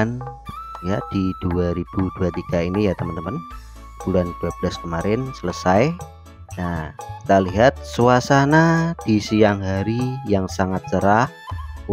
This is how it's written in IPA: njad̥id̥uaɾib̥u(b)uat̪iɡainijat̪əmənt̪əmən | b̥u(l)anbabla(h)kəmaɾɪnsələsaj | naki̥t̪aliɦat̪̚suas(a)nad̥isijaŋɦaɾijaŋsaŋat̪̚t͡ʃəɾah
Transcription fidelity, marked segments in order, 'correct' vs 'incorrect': incorrect: d, correct, incorrect: s, correct

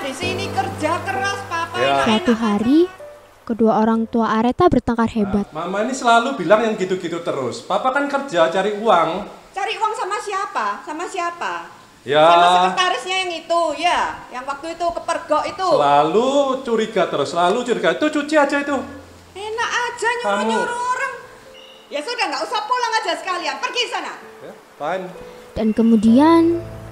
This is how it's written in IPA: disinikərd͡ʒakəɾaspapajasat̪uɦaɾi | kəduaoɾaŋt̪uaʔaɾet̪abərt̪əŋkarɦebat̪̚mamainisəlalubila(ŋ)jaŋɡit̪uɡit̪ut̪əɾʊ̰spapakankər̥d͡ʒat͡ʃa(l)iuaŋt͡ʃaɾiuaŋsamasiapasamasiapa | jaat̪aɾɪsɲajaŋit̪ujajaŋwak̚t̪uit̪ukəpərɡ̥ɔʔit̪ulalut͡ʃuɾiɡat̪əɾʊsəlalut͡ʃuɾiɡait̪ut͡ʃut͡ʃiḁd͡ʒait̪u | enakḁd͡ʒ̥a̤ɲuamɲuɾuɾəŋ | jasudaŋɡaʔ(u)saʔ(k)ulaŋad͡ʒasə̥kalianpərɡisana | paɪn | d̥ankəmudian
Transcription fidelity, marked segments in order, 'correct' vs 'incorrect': correct, incorrect: ɾ, correct, incorrect: p

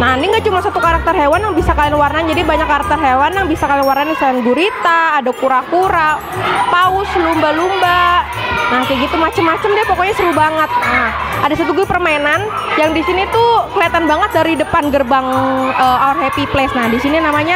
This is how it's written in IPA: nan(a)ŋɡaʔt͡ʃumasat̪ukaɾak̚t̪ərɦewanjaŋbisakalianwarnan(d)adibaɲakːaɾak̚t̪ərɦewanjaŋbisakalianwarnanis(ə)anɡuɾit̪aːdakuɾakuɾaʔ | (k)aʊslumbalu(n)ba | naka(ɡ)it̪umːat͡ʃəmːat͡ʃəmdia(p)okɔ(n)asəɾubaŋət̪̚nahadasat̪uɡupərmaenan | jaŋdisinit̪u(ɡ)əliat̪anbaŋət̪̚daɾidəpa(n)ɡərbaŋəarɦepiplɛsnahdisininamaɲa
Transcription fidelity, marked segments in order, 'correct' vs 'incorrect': incorrect: i, incorrect: d͡ʒ, incorrect: a, incorrect: p, incorrect: m, correct, correct, incorrect: ɲ, incorrect: k, correct

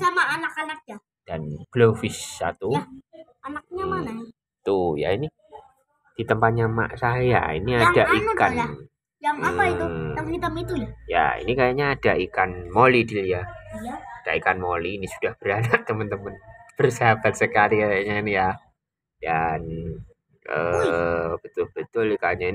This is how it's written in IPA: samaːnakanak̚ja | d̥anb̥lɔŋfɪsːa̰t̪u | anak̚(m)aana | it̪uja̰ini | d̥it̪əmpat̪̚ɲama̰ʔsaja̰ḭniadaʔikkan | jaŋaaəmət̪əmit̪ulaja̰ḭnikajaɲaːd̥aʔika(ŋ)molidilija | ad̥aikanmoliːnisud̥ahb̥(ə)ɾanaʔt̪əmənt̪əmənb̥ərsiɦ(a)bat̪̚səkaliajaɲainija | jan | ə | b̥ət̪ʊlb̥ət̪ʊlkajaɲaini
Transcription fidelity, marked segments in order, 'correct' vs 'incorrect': incorrect: ɲ, incorrect: n, correct, correct

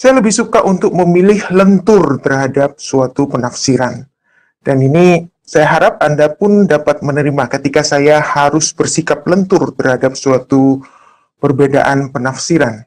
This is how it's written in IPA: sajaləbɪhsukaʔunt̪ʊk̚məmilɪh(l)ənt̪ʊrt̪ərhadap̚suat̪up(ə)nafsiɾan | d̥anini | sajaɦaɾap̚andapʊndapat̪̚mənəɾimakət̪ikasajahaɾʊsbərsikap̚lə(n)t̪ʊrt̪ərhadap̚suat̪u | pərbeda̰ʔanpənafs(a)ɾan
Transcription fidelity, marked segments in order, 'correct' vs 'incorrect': correct, correct, correct, incorrect: i

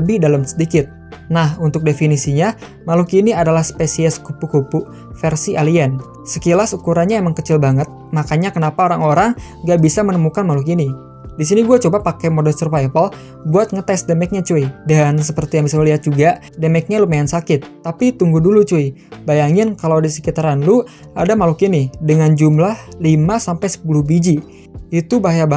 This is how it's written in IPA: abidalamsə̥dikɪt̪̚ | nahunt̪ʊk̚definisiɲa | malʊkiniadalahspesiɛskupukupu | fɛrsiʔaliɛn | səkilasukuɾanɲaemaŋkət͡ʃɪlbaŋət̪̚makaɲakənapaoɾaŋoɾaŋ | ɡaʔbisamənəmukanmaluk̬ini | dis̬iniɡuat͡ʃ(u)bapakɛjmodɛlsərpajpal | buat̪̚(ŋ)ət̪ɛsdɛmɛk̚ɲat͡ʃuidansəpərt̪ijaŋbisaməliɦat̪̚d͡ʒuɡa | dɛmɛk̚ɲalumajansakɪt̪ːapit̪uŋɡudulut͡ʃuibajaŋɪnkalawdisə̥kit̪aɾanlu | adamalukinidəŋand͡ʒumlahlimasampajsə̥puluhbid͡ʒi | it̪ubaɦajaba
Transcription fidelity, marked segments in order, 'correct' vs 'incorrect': incorrect: o, correct

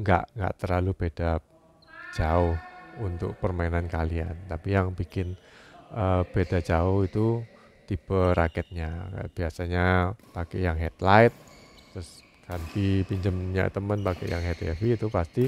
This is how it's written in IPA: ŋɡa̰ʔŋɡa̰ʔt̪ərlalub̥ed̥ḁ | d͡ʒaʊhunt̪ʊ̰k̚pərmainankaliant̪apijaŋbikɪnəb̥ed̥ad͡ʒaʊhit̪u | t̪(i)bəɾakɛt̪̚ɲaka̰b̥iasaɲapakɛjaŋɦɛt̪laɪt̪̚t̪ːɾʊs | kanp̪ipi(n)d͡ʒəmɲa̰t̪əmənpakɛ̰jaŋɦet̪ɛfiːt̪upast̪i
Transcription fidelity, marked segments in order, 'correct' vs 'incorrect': correct, incorrect: ɲ

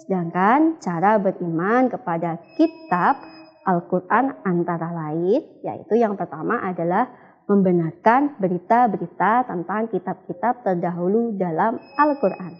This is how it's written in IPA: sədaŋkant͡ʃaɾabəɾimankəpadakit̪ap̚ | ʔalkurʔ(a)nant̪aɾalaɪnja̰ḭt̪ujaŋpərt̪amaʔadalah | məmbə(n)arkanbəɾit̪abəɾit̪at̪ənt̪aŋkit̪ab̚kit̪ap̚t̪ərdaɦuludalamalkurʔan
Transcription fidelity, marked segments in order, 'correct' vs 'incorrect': correct, correct

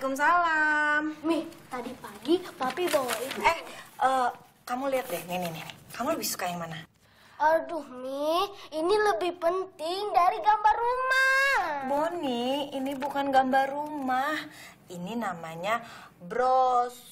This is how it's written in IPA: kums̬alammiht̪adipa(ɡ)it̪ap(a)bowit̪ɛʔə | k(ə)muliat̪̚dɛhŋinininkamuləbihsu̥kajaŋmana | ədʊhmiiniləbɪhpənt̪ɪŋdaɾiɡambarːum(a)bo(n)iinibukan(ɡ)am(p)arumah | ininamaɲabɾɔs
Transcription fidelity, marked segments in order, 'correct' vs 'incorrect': correct, incorrect: i, incorrect: a, correct, correct, correct, incorrect: b

